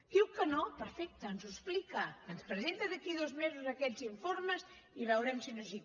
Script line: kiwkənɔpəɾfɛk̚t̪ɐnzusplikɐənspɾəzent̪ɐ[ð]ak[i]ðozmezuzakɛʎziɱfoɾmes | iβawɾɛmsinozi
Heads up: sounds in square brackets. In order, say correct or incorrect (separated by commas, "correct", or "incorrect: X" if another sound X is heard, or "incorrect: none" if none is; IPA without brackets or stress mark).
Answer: correct, correct